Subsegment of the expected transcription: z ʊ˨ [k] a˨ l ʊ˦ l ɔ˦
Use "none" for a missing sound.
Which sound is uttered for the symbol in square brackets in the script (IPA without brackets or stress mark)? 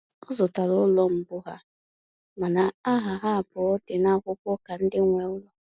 t